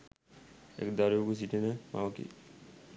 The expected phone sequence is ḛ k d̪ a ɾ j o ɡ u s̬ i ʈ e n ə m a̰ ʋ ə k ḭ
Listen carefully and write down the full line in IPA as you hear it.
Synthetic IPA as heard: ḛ k d̪ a ɾ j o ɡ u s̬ i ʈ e n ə m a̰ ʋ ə k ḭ